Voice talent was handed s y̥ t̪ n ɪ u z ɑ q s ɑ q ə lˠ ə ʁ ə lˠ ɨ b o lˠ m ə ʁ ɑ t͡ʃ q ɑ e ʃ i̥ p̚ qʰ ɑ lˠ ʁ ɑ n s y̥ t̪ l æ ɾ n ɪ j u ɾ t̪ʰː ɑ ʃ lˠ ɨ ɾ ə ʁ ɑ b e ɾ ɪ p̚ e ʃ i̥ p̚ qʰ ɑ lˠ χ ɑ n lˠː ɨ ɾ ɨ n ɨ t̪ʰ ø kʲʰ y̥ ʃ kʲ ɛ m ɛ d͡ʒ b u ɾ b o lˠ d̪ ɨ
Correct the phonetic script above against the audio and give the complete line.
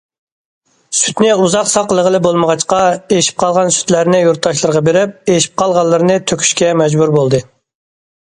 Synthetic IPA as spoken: s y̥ t̪ n ɪ u z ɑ q s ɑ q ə lˠ ə ʁ ə lˠ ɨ b o lˠ m ə ʁ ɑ t͡ʃ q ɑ e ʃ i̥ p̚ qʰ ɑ lˠ ʁ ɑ n s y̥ t̪ l æ ɾ n ɪ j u ɾ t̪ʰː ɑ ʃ lˠ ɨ ɾ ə ʁ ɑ b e ɾ ɪ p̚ e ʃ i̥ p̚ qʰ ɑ lˠ ʁ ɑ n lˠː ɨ ɾ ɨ n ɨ t̪ʰ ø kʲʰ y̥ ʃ kʲ ɛ m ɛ d͡ʒ b u ɾ b o lˠ d̪ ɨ